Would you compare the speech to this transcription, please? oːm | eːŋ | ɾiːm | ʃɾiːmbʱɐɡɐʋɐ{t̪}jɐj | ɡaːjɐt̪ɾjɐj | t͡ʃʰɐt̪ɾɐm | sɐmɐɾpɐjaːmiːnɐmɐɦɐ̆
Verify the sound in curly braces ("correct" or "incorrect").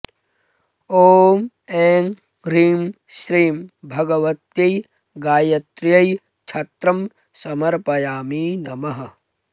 correct